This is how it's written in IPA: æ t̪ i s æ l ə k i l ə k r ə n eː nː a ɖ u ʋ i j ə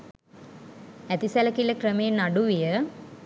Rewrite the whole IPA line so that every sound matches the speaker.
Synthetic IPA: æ t̪ i s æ l ə k i l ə k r ə m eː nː a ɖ u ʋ i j ə